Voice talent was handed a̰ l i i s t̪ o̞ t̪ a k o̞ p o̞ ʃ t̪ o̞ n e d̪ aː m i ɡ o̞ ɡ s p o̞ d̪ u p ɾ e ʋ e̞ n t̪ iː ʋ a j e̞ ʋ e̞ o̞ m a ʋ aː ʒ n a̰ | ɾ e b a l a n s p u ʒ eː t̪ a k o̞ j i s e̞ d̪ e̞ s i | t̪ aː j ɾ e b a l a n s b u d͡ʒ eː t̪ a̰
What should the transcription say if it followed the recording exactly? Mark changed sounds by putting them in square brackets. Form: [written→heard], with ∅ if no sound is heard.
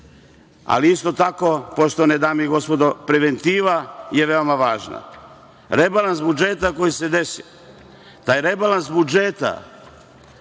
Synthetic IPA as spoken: a̰ l i i s t̪ o̞ t̪ a k o̞ p o̞ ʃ t̪ o̞ n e d̪ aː m i ɡ o̞ [ɡ→∅] s p o̞ d̪ [u→o] p ɾ e ʋ e̞ n t̪ iː ʋ a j e̞ ʋ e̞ o̞ m a ʋ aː ʒ n a̰ | ɾ e b a l a n s [p→b] u [ʒ→d͡ʒ] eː t̪ a k o̞ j i s e̞ d̪ e̞ s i | t̪ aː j ɾ e b a l a n s b u d͡ʒ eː t̪ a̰